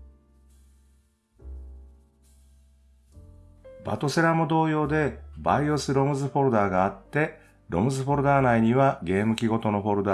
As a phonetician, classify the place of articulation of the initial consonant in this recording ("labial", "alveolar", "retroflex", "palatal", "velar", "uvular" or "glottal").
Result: labial